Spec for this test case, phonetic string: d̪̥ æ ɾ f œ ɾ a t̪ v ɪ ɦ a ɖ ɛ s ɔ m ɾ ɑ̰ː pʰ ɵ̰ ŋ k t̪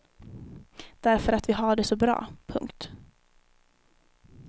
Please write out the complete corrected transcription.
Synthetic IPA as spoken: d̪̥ æ ɾ f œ ɾ a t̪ v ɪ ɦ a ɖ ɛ s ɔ b ɾ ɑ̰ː pʰ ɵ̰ ŋ k t̪